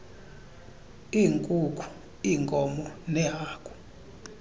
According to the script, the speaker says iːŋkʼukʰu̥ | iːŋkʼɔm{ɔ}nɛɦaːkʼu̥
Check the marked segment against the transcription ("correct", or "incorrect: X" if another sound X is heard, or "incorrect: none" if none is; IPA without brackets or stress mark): correct